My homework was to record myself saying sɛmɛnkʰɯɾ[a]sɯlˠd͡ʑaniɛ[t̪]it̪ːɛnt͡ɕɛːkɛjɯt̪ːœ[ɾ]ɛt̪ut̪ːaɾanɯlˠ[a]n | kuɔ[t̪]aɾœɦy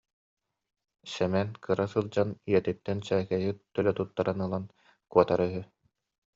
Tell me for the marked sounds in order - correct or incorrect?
correct, correct, incorrect: l, correct, correct

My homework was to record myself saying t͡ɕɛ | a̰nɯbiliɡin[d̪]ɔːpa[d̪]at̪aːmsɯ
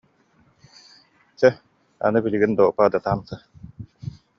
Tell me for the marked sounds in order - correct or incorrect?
correct, correct

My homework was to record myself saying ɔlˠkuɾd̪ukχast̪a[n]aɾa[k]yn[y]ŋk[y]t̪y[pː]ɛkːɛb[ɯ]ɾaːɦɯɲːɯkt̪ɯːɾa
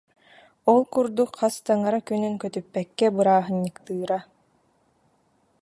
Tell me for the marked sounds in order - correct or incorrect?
incorrect: ŋ, correct, correct, incorrect: œ, correct, correct

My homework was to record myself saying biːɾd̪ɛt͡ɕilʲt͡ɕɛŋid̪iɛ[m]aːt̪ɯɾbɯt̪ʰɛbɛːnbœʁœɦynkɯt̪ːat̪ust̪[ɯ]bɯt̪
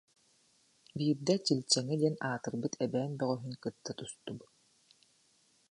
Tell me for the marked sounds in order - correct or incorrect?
incorrect: n, incorrect: u

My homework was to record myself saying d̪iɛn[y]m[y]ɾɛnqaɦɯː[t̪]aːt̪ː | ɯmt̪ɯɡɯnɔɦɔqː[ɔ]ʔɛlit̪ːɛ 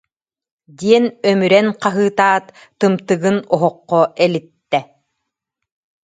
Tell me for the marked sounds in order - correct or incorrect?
incorrect: œ, correct, correct, correct

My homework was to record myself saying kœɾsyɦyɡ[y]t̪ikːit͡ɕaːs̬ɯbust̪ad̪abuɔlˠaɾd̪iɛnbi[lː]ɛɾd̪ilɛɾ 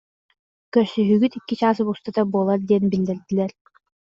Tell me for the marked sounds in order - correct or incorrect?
correct, correct

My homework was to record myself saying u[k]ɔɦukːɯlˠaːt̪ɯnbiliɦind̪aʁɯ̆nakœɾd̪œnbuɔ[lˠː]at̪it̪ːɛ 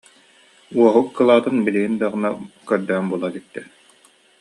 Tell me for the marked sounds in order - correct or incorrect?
incorrect: none, incorrect: lˠ

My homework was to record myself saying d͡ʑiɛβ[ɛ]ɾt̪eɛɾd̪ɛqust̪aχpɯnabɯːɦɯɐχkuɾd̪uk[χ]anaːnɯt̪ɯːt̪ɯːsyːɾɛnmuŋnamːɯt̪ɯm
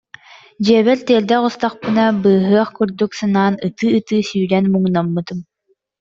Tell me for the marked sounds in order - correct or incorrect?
correct, incorrect: s

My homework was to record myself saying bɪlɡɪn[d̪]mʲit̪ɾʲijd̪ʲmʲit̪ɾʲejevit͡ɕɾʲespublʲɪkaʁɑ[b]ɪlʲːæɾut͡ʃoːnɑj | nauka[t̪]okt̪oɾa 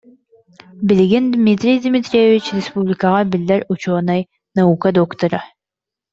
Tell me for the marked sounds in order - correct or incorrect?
correct, correct, incorrect: d̪

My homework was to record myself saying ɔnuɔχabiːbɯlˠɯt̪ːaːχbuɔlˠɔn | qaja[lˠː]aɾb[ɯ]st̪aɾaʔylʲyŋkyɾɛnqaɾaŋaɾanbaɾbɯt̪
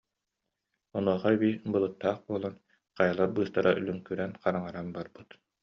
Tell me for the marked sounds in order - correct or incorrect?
incorrect: lˠ, incorrect: ɯː

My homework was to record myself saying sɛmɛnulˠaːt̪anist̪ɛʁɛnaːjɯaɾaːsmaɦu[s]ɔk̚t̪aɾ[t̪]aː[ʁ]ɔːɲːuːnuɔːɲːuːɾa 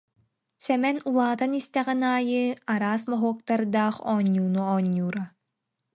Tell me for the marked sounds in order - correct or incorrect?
incorrect: none, incorrect: d̪, incorrect: χ

